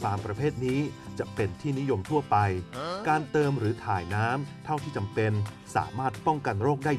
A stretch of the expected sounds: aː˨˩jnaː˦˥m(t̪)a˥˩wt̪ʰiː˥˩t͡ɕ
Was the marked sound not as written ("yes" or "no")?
yes